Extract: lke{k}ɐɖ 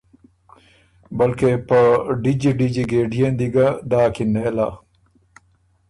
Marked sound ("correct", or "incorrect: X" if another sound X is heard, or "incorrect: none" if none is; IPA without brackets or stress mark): incorrect: p